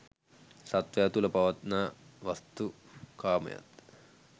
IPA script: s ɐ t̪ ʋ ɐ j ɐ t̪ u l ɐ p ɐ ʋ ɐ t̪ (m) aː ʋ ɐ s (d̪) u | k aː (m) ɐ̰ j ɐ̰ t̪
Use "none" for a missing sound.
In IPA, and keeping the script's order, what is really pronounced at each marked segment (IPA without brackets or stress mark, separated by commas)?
n, t̪, m